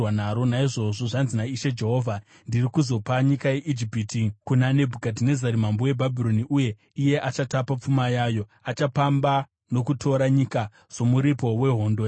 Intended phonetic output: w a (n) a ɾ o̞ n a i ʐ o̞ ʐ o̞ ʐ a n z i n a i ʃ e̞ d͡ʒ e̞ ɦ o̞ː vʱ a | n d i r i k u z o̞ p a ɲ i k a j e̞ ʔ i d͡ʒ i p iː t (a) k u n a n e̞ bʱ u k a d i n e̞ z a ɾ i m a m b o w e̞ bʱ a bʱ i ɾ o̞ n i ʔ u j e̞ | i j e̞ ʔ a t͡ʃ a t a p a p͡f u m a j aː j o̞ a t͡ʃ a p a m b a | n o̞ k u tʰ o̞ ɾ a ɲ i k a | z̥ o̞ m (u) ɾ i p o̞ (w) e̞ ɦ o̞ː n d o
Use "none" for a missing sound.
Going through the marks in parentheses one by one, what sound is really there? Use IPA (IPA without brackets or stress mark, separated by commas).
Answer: n, i, u, w